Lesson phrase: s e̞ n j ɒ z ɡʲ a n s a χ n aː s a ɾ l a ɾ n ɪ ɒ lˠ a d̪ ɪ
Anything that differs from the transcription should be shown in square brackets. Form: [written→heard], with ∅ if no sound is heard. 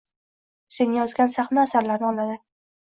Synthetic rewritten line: s e̞ n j ɒ z ɡʲ a n s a χ n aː s a ɾ l a ɾ n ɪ ɒ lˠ a d̪ ɪ